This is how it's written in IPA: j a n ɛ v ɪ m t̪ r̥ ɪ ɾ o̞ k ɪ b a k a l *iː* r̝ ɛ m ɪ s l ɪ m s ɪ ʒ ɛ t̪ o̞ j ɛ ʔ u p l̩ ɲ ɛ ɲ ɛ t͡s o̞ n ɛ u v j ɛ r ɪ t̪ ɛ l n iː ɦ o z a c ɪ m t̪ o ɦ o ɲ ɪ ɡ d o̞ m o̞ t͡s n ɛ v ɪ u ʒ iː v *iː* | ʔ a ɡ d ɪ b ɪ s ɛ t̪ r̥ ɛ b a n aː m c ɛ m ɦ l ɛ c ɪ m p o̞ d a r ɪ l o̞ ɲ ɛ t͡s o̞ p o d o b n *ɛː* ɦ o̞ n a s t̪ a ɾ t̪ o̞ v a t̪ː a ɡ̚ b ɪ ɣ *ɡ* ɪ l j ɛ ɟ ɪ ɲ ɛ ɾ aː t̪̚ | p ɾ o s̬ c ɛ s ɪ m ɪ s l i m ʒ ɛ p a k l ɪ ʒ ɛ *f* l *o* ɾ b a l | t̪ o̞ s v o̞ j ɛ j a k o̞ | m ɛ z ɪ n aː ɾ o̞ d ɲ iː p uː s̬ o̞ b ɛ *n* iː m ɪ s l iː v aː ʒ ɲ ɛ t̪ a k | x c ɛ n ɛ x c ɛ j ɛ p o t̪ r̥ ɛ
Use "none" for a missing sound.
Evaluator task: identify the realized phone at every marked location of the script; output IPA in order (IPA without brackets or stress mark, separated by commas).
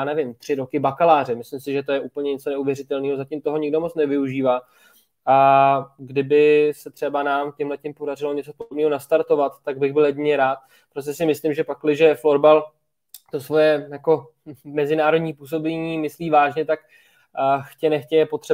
aː, aː, iː, b, f, o, ɲ